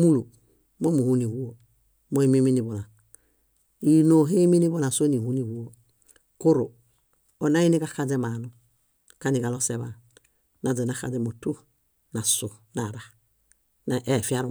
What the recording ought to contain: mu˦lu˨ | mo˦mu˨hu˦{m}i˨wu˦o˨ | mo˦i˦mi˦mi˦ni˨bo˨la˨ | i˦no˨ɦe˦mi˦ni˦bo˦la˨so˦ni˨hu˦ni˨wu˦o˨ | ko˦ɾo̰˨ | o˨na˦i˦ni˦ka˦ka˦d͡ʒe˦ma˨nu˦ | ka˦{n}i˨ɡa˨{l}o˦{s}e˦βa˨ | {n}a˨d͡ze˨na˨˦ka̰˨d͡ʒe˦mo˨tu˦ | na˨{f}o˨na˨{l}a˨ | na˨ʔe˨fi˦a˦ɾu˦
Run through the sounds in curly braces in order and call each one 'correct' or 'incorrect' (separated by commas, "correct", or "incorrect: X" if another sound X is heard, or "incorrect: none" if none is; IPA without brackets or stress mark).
incorrect: n, correct, correct, correct, correct, incorrect: s, incorrect: ɾ